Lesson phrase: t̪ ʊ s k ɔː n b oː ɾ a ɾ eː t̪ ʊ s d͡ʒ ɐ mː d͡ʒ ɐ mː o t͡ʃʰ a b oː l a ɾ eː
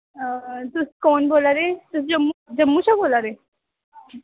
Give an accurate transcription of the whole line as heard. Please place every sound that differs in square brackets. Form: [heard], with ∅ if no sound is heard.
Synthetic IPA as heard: t̪ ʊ s k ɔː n b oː [l] a ɾ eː t̪ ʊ s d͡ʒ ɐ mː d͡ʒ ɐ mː [u] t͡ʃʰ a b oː l a ɾ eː